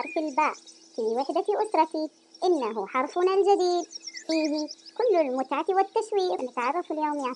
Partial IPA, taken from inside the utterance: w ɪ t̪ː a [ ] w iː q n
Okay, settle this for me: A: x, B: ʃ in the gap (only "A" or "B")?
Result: B